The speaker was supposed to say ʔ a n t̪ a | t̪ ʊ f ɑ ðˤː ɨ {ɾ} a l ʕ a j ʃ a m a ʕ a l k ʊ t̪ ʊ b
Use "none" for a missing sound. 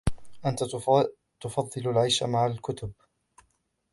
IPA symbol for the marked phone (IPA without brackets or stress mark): l